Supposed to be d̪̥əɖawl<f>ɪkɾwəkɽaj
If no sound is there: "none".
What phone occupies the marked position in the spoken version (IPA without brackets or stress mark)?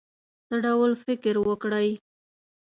f